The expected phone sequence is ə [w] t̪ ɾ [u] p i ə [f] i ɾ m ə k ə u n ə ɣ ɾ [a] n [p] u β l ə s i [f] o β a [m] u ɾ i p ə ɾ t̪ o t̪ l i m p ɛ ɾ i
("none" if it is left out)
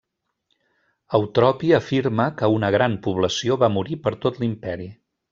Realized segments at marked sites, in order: w, ɔ, f, a, p, none, m

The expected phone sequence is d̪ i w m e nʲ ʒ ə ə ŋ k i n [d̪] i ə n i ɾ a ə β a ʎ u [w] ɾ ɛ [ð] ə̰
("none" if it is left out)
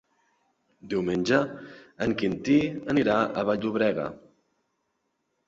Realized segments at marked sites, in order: t̪, β, ɣ

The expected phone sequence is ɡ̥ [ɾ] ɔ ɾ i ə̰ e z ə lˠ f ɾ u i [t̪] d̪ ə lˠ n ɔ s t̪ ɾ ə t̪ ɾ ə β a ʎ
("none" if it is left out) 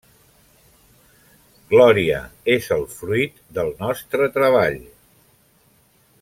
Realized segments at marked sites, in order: l, t̪

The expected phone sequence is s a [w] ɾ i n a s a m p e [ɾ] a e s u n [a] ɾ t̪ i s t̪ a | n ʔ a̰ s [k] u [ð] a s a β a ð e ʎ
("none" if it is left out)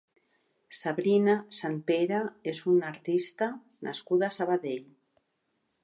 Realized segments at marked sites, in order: β, ɾ, a, k, ð

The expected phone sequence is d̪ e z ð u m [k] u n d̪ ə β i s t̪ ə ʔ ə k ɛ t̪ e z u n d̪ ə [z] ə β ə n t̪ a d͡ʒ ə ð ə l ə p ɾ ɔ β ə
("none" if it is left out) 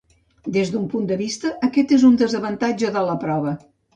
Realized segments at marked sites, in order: p, z

